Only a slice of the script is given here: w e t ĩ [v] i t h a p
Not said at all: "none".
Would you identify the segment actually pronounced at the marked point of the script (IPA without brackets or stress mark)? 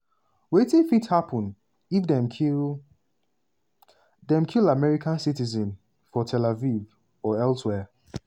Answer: f